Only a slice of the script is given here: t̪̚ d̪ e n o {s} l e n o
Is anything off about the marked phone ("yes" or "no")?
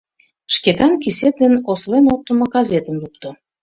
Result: no